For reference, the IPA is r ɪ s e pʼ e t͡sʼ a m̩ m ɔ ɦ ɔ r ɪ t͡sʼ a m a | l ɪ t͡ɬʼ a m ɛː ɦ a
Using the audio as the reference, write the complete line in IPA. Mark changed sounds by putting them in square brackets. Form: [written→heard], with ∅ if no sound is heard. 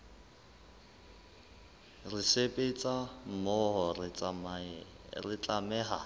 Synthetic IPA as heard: r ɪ s e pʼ e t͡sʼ a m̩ m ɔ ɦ ɔ r ɪ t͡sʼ a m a | [l→r] ɪ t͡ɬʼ a m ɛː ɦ a

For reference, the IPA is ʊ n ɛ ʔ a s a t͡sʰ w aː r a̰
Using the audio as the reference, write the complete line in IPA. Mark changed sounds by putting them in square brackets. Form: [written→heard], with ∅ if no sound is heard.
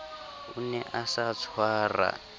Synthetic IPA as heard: [ʊ→u] n ɛ ʔ a s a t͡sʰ w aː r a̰

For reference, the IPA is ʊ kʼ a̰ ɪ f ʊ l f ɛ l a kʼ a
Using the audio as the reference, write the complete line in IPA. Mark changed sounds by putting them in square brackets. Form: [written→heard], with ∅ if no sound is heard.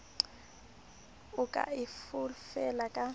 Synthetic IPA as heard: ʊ kʼ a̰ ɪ f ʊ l f ɛ l a kʼ a

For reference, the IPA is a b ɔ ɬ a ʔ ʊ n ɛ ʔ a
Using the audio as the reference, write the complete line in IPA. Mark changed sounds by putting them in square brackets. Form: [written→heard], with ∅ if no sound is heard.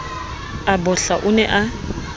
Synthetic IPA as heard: a b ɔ ɬ a ʔ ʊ n ɛ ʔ a

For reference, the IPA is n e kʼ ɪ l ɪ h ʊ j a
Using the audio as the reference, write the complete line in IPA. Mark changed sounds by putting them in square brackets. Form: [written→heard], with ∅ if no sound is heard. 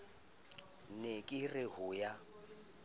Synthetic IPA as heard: n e kʼ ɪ [l→r] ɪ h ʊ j a

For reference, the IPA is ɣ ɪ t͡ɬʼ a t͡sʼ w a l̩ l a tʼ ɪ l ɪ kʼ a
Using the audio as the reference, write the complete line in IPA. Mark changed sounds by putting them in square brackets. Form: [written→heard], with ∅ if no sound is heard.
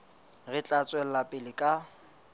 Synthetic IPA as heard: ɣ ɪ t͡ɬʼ a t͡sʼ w [a→ɛ] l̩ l a [tʼ→pʼ] ɪ l ɪ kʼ a

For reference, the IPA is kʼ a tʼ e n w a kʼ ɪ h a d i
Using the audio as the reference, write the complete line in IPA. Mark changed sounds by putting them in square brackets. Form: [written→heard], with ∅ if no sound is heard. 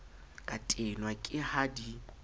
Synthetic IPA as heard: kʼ a tʼ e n w a kʼ ɪ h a d i

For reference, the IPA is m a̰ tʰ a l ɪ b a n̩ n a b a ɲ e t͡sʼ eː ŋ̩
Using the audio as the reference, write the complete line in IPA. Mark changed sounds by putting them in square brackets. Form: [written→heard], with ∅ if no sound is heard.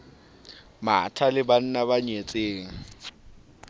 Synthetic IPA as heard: m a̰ tʰ a l ɪ b a n̩ n a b a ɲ e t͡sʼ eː ŋ̩

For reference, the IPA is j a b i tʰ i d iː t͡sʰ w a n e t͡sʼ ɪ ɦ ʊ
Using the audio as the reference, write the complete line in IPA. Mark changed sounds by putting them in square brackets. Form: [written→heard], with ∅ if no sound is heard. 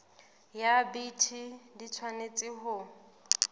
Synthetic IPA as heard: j a b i tʰ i d [iː→i] t͡sʰ w a n e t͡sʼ ɪ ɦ ʊ

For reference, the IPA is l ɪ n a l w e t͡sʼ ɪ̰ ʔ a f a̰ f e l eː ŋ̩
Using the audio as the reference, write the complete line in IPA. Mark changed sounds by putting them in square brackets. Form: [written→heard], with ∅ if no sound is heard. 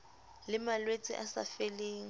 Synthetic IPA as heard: l ɪ [n→m] a l w e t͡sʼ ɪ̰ ʔ a [f→s] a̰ f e l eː ŋ̩

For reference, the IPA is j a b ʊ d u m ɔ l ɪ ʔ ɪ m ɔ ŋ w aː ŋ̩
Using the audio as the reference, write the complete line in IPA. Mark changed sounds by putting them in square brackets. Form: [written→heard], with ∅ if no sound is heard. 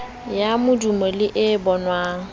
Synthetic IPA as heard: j a [b→m] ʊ d u m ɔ l ɪ ʔ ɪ [m→b] ɔ [ŋ→n] w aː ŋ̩

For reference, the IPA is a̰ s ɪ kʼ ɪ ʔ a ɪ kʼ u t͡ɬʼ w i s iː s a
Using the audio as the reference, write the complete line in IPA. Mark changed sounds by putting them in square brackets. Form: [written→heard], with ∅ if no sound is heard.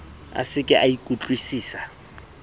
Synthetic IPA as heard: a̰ s ɪ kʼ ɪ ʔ a [ɪ→i] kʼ u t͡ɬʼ w i s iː s a

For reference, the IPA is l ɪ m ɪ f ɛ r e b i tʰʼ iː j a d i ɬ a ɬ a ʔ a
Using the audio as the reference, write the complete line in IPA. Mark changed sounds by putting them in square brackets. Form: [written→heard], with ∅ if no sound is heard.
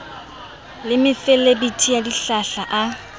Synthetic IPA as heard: l ɪ m ɪ f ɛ [r→l] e b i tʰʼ [iː→i] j a d i ɬ a ɬ a ʔ a

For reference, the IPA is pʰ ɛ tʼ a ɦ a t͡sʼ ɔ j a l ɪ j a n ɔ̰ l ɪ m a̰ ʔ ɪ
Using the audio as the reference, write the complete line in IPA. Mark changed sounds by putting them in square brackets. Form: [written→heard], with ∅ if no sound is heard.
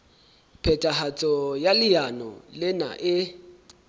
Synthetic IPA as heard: pʰ ɛ tʼ a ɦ a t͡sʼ ɔ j a l ɪ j a n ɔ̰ l ɪ [m→n] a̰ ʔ ɪ

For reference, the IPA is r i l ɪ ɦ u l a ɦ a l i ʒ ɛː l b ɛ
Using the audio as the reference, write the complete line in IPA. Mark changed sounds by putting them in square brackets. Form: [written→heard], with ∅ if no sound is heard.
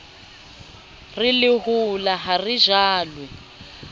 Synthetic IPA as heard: r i l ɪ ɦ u l a ɦ a [l→r] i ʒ [ɛː→aː] l [b→w] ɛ

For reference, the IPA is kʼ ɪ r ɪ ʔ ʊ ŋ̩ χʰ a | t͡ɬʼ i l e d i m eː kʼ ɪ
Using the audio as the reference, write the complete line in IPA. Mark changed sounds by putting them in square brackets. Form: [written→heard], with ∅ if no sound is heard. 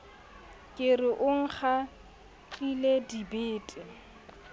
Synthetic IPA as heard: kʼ ɪ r ɪ ʔ ʊ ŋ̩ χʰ a | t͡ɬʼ i l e d i [m→b] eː [kʼ→tʼ] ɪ

